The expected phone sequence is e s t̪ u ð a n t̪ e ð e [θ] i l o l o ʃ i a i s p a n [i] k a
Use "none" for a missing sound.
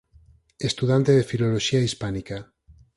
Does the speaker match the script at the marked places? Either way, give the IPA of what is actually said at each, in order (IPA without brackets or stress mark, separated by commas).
f, i